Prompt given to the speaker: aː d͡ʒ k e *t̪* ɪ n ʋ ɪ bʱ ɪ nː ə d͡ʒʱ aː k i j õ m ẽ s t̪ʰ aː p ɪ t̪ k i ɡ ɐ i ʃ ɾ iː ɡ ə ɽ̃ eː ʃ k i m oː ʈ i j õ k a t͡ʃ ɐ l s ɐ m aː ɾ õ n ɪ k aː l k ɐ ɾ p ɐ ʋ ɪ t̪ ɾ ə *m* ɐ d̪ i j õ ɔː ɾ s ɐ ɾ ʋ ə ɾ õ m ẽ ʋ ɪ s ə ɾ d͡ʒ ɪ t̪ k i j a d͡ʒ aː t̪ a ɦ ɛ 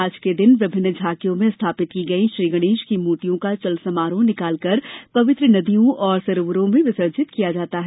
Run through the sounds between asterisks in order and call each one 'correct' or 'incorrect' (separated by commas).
incorrect, incorrect